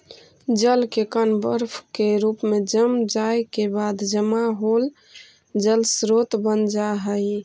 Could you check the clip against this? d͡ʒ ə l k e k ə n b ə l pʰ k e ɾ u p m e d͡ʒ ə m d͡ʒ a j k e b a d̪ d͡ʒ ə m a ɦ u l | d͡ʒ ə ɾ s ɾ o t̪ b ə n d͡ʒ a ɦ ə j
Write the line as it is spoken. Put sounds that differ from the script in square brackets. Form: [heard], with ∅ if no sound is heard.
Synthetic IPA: d͡ʒ ə l k e k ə n b ə [ɾ] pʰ k e ɾ u p m e d͡ʒ ə m d͡ʒ a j k e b a d̪ d͡ʒ ə m a ɦ [o] l | d͡ʒ ə [l] s ɾ o t̪ b ə n d͡ʒ a ɦ ə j